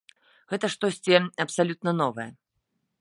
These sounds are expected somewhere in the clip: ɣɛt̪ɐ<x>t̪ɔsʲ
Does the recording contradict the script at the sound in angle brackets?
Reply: yes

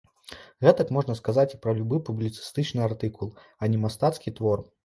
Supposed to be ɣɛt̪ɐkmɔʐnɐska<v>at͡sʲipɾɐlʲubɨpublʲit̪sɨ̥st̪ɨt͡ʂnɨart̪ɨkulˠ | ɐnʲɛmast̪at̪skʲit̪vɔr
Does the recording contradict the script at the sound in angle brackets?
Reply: yes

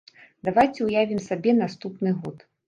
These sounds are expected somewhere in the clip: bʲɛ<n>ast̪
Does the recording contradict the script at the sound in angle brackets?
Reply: no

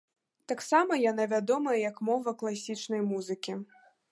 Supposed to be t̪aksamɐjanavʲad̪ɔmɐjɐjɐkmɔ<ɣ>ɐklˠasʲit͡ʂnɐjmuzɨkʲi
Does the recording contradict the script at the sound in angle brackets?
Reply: yes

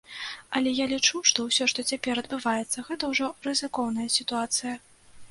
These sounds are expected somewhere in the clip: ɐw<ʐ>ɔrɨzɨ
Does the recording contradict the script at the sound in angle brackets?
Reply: no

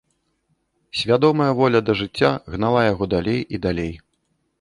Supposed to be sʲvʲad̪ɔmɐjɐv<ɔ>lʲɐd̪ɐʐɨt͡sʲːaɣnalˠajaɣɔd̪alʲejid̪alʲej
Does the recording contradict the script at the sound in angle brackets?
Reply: no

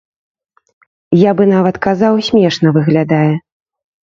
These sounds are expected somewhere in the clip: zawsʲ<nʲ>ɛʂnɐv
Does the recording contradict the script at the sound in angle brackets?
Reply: yes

